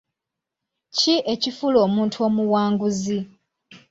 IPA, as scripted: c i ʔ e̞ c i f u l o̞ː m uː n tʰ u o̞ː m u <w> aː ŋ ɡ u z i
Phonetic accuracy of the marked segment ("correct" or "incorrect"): correct